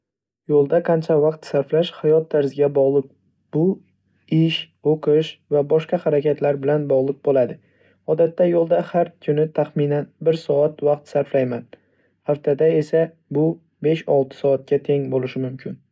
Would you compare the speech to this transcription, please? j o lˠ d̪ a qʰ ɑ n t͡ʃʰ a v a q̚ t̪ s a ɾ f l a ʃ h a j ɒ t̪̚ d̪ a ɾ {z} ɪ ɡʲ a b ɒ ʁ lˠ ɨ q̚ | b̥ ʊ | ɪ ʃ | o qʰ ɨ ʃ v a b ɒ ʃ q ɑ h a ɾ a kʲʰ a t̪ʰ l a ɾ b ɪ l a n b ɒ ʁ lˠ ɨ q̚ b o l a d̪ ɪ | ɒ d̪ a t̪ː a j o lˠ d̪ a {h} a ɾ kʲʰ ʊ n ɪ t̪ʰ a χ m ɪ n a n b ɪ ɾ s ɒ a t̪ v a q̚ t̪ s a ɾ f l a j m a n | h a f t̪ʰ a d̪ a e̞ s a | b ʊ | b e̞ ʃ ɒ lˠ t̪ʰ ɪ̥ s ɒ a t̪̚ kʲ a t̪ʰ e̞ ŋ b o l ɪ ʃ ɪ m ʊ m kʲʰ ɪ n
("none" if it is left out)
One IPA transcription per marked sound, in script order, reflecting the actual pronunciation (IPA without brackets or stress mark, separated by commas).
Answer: z, h